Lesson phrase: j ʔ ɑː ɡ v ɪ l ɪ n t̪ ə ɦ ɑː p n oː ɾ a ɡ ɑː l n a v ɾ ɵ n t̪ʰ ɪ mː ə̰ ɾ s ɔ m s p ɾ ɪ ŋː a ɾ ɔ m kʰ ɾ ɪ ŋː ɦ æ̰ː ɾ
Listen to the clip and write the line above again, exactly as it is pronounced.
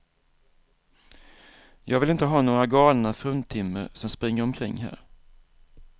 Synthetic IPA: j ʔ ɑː ɡ v ɪ l ɪ n t̪ ə ɦ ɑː n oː ɾ a ɡ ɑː l n a f ɾ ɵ n t̪ʰ ɪ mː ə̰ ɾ s ɔ m s p ɾ ɪ ŋː ə ɾ ɔ m kʰ ɾ ɪ ŋː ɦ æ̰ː ɾ

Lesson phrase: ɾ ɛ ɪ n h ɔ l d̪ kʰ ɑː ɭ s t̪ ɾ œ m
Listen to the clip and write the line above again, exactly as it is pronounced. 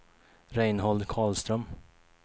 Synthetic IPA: ɾ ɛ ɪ n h ɔ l d̪ kʰ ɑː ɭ s t̪ ɾ œ m

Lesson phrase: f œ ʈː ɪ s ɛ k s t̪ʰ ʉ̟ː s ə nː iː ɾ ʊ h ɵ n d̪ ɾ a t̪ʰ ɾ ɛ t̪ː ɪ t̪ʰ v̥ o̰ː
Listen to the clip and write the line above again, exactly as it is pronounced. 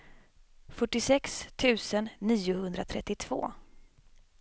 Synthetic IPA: f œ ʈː ɪ s ɛ k s t̪ʰ ʉ̟ː s ə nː iː ʊ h ɵ n d̪ ɾ a t̪ʰ ɾ ɛ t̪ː ɪ t̪ʰ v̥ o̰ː

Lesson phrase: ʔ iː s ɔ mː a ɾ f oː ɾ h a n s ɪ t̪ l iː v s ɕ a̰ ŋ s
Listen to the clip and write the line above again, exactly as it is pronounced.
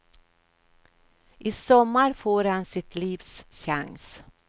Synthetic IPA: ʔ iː s ɔ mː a ɾ f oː ɾ h a n s ɪ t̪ l iː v s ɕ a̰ ŋ s

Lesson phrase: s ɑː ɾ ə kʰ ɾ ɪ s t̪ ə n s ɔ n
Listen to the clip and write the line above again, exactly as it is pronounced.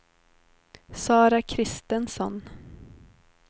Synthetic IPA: s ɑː ɾ a kʰ ɾ ɪ s t̪ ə n s ɔ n

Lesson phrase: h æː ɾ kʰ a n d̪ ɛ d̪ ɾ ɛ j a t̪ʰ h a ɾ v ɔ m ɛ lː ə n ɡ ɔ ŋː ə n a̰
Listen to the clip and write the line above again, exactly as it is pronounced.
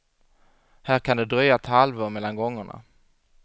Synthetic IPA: h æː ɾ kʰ a n d̪ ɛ d̪ ɾ œ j a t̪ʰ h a l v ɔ m ɛ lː a n ɡ ɔ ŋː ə ɳ a̰

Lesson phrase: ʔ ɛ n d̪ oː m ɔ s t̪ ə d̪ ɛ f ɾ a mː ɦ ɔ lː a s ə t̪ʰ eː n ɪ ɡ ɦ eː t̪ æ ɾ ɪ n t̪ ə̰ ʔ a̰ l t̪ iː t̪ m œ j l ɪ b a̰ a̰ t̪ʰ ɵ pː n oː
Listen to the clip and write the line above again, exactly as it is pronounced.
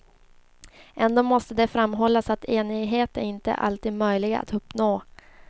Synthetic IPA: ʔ ɛ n d̪ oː m ɔ s t̪ ə d̪ ɛ f ɾ a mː ɦ ɔ lː a s a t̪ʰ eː n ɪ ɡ ɦ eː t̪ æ ɾ ɪ n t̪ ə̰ ʔ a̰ l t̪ iː d̪ m œ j l ɪ ɡ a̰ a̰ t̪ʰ ɵ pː n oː

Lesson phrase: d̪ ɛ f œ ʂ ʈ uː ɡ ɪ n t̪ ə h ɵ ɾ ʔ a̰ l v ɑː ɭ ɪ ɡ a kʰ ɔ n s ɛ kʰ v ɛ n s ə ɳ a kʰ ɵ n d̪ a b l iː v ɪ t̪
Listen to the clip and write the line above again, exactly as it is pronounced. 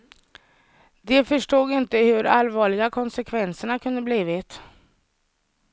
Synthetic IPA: d̪ ɛ f œ ʂ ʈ uː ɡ ɪ n t̪ ə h ɵ ɾ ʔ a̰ l v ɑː ɭ ɪ ɡ a kʰ ɔ n s ɛ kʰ v ɛ n s ə ɳ a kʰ ɵ n d̪ ə b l iː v ɪ t̪

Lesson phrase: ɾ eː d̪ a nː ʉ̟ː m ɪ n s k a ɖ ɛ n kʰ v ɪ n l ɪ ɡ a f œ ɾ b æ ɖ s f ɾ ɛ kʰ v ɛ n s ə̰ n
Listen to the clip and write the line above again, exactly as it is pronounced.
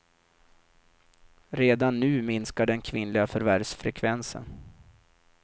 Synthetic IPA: ɾ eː d̪ a nː ʉ̟ː m ɪ n s k a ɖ ɛ n kʰ v ɪ n l ɪ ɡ a f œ ɾ v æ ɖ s f ɾ ɛ kʰ v ɛ n s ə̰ n

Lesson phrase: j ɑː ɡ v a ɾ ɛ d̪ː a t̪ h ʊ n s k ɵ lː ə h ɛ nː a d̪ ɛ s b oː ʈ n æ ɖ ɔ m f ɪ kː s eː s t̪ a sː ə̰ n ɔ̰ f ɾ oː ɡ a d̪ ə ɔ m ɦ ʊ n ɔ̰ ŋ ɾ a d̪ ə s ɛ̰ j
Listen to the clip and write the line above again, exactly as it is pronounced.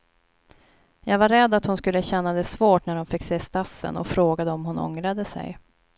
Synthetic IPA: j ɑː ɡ v a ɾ ɛ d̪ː a t̪ h ʊ n s k ɵ lː ə ɕ ɛ nː a d̪ ɛ s v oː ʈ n æ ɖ ɔ m f ɪ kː s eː s t̪ a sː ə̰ n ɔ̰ f ɾ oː ɡ a d̪ ə ɔ m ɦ ʊ n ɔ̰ ŋ ɾ a d̪ ə s ɛ̰ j

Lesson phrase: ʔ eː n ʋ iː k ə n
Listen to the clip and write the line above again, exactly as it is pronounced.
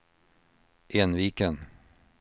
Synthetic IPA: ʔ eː n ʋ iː k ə n

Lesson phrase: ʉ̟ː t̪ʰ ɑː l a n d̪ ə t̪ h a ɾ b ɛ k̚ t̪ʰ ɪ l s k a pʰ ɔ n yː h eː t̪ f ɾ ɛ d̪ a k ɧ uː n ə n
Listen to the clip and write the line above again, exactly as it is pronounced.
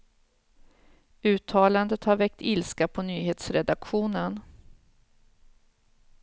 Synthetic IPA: ʉ̟ː t̪ʰ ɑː l a n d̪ ə t̪ h a ɾ v ɛ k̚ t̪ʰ ɪ l s k a pʰ ɔ n yː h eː t̪ s ɾ ɛ d̪ a k ɧ uː n ə n

